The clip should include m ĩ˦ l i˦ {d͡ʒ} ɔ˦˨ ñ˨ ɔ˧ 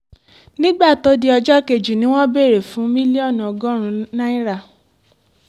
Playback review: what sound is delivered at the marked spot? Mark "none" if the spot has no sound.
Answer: none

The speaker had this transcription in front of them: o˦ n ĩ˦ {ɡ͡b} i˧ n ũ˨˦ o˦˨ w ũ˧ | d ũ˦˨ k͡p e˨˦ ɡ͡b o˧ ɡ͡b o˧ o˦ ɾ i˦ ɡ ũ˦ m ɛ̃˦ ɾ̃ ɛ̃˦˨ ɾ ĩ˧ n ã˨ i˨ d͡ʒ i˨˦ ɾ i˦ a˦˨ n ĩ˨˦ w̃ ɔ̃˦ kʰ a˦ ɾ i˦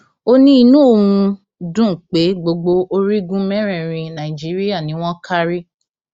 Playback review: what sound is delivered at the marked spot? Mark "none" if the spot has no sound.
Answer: none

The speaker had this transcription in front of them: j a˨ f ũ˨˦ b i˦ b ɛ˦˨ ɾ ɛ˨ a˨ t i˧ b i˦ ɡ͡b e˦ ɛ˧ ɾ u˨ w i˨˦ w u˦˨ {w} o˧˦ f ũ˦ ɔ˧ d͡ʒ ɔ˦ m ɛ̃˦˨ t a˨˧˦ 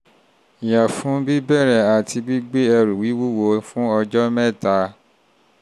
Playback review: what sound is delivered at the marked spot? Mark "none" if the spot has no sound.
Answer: w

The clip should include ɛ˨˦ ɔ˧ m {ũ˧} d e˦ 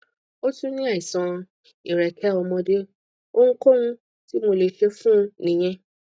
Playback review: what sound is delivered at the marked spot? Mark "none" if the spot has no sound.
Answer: ɔ̃˧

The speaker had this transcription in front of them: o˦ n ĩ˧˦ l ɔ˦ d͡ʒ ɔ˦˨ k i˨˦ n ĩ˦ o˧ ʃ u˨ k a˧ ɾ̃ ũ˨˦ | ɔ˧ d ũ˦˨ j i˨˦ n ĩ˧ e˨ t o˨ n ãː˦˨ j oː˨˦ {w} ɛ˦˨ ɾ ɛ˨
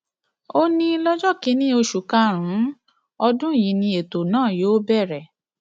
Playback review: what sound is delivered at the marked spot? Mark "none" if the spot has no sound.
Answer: b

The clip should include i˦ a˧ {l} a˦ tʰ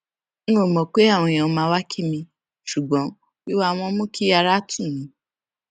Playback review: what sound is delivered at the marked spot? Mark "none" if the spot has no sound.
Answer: ɾ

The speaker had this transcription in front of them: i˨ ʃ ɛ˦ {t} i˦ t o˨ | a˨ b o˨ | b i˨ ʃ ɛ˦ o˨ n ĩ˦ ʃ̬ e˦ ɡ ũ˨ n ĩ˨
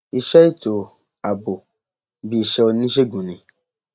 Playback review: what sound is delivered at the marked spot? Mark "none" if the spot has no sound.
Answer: none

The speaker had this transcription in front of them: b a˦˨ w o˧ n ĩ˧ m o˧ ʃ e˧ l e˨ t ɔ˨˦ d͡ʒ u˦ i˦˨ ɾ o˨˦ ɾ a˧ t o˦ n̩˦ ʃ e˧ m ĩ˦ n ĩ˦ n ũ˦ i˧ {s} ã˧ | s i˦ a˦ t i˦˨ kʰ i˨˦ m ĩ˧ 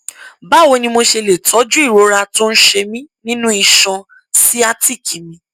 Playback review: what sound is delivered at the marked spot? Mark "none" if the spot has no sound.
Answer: ʃ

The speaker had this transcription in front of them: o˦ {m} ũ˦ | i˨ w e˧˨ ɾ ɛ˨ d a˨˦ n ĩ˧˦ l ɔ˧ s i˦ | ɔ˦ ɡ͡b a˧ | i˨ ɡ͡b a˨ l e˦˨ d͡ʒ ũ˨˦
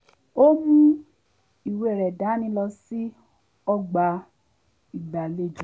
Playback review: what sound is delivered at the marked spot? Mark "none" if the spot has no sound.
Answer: m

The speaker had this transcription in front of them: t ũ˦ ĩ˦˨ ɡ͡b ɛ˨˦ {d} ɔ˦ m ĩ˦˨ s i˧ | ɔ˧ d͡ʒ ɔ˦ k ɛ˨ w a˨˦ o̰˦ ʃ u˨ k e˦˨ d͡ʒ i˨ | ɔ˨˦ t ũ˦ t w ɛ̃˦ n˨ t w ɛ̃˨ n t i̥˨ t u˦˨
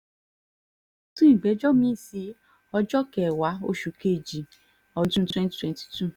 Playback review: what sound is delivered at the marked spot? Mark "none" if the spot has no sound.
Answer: d͡ʒ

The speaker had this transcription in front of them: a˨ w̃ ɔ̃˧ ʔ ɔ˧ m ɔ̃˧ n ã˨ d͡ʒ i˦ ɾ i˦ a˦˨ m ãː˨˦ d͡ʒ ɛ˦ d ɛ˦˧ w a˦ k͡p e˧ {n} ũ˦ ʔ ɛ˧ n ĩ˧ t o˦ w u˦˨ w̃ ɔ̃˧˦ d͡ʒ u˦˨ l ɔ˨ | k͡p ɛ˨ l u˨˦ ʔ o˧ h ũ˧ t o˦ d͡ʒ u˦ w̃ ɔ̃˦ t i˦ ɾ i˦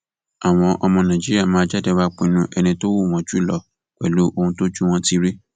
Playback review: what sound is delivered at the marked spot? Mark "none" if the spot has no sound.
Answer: n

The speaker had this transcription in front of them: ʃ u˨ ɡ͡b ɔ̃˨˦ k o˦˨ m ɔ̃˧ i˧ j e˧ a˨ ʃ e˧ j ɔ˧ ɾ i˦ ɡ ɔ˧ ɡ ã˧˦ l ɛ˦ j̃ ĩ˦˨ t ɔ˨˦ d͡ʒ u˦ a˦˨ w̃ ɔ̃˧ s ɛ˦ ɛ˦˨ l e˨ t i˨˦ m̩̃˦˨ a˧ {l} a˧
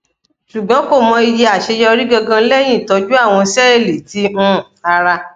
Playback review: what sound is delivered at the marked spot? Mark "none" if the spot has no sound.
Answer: ɾ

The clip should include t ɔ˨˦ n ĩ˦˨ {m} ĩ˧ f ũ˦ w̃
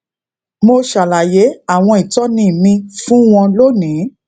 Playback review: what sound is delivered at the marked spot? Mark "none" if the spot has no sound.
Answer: m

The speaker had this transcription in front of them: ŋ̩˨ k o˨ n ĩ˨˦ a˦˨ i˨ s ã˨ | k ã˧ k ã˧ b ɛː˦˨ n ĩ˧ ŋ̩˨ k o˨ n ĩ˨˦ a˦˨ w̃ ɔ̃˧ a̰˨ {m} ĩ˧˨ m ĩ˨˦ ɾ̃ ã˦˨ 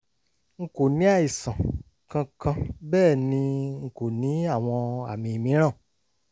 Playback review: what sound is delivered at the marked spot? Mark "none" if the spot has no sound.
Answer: m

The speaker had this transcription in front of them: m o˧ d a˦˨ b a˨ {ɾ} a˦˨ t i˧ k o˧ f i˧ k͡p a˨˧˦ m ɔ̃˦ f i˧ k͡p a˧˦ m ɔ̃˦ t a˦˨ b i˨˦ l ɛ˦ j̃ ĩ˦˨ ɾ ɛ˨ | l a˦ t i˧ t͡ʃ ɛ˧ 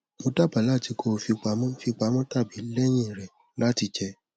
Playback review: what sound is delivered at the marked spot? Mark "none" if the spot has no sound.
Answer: l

